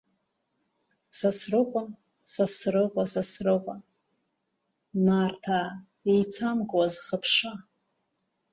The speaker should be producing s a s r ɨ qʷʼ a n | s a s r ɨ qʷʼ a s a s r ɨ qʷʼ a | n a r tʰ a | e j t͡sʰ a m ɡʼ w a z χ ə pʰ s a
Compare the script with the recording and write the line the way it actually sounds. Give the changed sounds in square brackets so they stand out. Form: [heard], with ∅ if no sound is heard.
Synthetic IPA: s a s r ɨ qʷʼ a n | s a s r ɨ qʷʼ a s a s r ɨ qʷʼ a | n a r tʰ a | e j t͡sʰ a m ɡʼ w a z χ ə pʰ [ʂ] a